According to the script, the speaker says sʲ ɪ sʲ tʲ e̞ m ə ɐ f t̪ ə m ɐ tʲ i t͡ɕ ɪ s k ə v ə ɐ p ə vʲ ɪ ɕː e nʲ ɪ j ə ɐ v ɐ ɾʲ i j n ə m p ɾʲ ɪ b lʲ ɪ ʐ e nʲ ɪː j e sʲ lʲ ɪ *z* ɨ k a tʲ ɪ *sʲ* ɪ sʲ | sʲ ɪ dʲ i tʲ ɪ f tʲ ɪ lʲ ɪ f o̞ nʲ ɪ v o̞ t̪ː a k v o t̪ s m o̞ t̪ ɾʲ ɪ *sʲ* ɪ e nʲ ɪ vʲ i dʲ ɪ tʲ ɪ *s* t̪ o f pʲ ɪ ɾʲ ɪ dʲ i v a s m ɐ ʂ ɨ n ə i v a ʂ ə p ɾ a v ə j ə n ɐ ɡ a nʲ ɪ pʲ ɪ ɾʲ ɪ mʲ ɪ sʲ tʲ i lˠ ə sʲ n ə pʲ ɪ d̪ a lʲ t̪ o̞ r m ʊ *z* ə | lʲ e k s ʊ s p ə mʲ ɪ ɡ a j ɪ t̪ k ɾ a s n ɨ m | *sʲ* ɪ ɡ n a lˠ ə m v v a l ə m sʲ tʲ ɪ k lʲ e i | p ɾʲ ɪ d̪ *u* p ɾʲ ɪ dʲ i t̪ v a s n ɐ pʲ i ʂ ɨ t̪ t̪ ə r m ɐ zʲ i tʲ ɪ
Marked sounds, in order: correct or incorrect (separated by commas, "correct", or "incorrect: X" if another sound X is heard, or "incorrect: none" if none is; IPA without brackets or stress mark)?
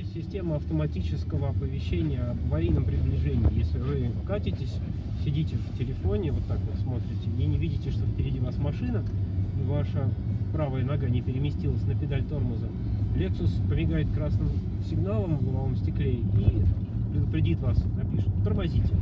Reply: incorrect: v, incorrect: tʲ, incorrect: tʲ, incorrect: ʂ, correct, correct, incorrect: ʊ